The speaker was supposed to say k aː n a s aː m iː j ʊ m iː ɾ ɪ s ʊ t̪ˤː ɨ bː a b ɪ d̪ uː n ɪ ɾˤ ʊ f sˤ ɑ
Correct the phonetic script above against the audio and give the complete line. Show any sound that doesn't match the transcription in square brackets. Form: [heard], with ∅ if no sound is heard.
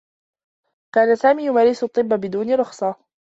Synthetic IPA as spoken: k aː n a s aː m iː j ʊ m [aː] ɾ ɪ s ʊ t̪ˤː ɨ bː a b ɪ d̪ uː n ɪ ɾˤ ʊ [x] sˤ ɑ